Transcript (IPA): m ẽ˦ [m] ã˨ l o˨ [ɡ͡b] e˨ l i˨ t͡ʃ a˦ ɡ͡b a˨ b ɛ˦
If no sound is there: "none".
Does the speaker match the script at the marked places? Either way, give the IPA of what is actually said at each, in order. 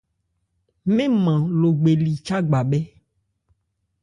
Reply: m, ɡ͡b

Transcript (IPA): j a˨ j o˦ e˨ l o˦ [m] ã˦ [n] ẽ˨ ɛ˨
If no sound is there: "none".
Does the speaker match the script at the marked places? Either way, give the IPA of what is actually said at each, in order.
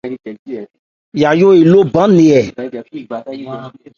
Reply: b, n

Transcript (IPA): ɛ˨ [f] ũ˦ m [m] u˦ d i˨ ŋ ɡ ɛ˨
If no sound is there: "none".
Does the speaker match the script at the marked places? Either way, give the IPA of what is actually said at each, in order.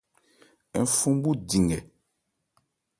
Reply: f, b

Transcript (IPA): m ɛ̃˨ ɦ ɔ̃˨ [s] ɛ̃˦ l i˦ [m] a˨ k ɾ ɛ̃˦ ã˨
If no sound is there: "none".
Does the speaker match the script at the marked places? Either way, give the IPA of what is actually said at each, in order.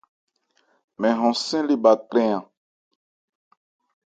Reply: s, b

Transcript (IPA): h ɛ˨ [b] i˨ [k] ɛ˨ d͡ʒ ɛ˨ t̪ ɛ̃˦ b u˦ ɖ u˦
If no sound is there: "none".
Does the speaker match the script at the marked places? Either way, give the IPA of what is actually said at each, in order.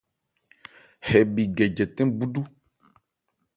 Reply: b, ɡ

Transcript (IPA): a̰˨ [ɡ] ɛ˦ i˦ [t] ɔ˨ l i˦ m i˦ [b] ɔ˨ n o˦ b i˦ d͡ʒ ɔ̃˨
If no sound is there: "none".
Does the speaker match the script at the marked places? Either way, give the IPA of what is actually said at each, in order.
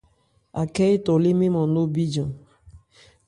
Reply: k, t, m

